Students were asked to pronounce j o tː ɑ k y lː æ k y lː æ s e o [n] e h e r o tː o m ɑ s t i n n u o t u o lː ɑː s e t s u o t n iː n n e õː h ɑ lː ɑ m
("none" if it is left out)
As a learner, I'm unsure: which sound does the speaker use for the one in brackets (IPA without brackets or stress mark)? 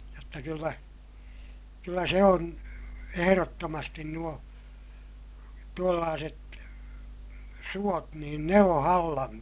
n